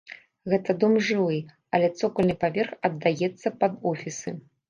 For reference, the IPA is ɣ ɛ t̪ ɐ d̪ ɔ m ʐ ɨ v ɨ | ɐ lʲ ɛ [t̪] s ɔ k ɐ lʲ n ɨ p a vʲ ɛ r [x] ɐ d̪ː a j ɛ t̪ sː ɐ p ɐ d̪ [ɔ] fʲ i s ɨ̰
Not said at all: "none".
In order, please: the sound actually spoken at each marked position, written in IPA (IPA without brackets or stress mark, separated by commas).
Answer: t̪, x, ɔ